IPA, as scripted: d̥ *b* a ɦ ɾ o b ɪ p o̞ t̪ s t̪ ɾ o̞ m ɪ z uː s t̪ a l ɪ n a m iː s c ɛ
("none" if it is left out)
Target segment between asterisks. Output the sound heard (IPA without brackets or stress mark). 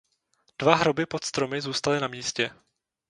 v